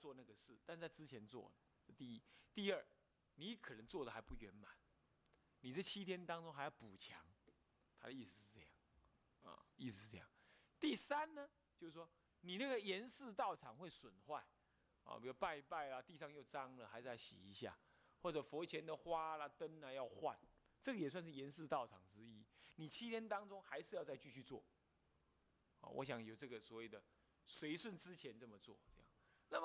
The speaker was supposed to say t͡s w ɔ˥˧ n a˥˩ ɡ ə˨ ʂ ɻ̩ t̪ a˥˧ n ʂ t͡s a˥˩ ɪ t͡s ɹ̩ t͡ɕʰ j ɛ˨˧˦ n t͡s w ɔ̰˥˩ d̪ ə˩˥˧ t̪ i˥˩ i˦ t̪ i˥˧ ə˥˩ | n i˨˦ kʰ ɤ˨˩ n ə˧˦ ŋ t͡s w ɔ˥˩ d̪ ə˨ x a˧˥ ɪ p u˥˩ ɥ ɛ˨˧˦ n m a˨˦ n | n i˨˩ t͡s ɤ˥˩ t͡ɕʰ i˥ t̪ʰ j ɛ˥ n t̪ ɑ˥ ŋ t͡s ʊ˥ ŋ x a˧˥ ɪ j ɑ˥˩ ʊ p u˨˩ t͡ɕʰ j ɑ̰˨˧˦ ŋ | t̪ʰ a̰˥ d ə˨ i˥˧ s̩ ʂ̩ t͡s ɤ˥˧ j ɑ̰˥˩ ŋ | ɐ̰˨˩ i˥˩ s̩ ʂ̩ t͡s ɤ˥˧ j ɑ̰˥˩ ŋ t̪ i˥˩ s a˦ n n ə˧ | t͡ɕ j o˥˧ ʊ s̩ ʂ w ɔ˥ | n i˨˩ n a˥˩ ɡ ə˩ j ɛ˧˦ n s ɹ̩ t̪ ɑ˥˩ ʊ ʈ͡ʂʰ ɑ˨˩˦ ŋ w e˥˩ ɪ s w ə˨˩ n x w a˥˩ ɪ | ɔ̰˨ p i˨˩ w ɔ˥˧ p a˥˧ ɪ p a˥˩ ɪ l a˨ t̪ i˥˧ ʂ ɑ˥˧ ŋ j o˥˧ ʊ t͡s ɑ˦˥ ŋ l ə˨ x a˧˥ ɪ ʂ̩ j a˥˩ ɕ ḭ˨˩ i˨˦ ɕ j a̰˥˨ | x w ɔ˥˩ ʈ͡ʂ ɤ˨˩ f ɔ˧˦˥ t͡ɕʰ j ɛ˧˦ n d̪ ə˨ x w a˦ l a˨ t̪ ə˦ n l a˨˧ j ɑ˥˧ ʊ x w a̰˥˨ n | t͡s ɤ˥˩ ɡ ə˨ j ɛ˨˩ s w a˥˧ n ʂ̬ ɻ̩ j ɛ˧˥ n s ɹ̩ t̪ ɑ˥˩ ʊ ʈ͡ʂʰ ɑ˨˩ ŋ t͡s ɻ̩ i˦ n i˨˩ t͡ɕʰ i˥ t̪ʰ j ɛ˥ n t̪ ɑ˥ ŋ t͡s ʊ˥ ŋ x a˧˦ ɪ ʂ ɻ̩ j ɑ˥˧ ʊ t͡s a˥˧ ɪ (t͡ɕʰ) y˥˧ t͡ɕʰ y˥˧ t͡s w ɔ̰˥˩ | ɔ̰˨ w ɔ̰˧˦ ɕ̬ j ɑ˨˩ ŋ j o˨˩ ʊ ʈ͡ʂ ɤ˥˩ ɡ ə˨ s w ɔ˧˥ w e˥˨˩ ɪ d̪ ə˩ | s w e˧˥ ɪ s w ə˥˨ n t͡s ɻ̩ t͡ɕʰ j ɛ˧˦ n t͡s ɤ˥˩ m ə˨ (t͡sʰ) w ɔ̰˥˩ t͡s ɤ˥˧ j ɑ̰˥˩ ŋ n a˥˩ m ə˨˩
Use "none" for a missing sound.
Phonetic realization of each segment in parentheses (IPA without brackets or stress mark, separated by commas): t͡ɕ, t͡s